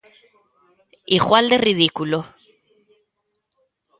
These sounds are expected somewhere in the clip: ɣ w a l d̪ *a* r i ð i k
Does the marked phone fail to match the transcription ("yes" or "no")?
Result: yes